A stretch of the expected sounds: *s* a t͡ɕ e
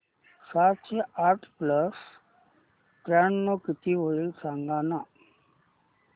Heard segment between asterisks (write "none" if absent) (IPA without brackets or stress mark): s